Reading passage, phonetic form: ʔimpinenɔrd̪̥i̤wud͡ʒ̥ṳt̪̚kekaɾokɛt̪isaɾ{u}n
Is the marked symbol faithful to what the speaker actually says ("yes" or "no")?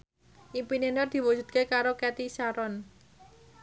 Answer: no